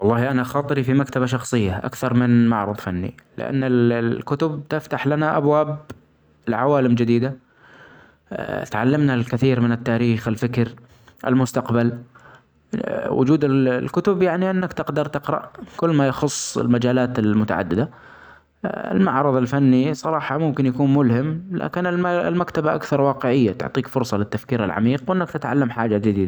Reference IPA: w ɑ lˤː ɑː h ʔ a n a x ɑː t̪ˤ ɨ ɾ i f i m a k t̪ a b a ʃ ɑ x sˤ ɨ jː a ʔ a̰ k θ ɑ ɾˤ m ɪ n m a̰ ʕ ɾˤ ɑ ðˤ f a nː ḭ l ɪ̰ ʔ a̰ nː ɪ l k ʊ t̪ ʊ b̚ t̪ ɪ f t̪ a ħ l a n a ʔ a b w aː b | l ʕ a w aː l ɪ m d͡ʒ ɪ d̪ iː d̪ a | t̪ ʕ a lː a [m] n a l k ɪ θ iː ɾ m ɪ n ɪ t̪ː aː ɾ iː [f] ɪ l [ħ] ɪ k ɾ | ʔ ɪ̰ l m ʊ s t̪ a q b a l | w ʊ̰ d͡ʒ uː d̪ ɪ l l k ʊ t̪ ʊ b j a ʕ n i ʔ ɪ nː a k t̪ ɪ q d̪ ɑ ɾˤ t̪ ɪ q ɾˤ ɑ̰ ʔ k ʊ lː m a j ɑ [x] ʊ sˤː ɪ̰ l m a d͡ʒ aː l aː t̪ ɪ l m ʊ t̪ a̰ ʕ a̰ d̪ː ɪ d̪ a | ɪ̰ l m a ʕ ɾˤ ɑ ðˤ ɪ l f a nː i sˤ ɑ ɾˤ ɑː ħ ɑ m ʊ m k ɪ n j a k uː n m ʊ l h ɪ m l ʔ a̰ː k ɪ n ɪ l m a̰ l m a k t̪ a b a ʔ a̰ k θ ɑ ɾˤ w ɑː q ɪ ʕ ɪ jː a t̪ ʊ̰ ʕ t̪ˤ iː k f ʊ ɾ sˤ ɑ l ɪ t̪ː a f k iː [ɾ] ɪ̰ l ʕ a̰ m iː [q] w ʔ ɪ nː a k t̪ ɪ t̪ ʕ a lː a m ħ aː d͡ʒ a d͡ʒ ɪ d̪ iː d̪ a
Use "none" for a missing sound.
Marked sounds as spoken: m, x, f, x, ɾ, q

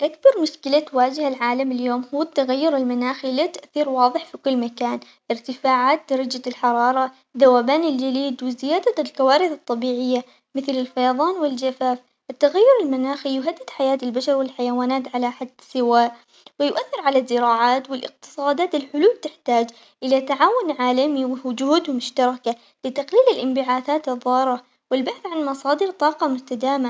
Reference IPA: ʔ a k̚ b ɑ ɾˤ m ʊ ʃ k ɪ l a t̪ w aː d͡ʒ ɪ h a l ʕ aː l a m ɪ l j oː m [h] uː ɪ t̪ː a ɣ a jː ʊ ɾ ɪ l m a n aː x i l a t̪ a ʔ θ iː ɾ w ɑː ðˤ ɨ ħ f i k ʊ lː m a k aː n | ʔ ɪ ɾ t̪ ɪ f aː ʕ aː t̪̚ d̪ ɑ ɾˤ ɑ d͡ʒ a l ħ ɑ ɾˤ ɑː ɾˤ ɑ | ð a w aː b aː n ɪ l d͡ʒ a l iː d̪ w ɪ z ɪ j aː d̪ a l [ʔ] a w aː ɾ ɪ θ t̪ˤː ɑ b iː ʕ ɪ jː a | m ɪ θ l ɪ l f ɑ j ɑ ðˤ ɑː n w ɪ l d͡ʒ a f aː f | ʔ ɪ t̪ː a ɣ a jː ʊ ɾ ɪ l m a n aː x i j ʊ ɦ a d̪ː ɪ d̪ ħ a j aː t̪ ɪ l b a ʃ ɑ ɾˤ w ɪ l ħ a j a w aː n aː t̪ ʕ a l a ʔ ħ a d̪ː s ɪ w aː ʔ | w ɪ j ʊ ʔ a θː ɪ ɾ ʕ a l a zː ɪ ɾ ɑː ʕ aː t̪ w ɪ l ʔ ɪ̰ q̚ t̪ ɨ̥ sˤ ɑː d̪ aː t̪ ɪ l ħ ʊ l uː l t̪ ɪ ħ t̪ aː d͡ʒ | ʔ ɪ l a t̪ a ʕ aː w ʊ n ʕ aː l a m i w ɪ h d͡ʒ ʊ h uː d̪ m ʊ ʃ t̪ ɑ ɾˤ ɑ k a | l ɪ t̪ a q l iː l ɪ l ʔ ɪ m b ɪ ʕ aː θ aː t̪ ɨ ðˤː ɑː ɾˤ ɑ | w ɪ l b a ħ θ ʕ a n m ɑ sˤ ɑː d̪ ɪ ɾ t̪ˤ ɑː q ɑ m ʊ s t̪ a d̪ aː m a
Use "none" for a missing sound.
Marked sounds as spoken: h, k

